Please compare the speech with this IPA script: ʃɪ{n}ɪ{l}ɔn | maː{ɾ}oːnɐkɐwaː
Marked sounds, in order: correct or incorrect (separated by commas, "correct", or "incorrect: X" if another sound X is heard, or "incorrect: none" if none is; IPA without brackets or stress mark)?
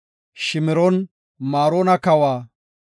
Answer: incorrect: m, incorrect: ɾ, correct